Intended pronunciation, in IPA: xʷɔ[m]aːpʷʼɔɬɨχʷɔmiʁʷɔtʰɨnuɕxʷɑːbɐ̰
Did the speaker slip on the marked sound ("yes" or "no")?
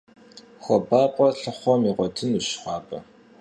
yes